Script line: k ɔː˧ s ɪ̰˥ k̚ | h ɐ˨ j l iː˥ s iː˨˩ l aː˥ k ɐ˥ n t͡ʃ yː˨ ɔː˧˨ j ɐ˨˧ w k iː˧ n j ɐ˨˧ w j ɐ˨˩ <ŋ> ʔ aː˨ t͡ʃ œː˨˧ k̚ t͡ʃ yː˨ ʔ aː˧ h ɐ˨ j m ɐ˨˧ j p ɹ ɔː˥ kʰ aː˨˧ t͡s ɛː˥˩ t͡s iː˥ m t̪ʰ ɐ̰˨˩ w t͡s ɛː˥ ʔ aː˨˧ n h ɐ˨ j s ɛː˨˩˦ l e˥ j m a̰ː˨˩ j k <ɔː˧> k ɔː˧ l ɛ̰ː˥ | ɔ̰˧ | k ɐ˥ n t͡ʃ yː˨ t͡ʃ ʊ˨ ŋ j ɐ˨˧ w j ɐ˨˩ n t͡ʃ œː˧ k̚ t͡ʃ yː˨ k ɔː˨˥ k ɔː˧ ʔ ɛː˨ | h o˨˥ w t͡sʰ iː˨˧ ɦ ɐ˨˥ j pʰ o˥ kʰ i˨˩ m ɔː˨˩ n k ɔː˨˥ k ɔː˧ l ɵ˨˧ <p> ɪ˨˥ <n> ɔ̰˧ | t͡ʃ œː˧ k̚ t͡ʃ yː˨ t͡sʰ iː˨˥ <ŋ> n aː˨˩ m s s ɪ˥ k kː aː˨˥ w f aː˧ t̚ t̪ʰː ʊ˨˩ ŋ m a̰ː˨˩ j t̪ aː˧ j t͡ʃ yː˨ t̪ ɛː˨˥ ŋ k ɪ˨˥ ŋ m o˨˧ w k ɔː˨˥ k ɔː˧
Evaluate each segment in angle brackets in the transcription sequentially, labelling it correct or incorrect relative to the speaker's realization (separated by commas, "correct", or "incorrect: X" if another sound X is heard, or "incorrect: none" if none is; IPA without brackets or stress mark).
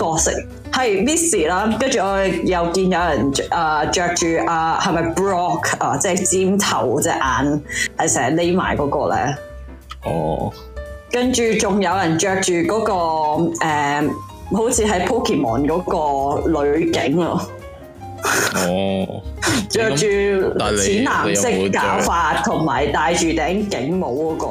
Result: incorrect: n, incorrect: ɔː˨˥, incorrect: k, incorrect: ŋ, incorrect: n